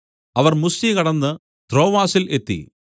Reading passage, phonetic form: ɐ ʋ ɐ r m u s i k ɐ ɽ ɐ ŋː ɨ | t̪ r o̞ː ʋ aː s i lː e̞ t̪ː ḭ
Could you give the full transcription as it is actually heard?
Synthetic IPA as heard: ɐ ʋ ɐ r m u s i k ɐ ɽ ɐ nː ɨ | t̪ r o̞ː ʋ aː s i l e̞ t̪ː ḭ